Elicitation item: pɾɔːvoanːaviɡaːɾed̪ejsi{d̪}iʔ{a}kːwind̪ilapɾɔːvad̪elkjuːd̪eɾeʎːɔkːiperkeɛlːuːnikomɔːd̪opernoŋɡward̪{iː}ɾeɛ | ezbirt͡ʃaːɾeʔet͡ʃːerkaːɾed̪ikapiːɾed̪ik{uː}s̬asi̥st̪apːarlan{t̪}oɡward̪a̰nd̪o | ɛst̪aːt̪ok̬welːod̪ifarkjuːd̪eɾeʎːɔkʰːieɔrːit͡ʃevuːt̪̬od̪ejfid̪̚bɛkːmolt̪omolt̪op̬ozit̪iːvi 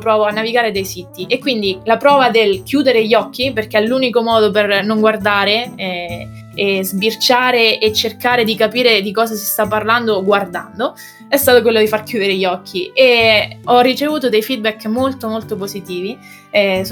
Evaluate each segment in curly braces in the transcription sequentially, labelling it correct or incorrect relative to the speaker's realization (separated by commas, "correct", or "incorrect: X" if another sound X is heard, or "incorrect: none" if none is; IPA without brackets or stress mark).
incorrect: t̪, incorrect: e, incorrect: aː, incorrect: ɔː, incorrect: d̪